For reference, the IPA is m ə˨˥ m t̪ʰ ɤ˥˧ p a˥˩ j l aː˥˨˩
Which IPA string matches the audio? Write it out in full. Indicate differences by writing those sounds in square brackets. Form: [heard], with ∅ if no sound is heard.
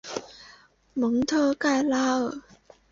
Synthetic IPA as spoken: m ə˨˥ [ŋ] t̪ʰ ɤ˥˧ [k] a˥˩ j l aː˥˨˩